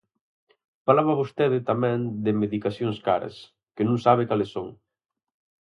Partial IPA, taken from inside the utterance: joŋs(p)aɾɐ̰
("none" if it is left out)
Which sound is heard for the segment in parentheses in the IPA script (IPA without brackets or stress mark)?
k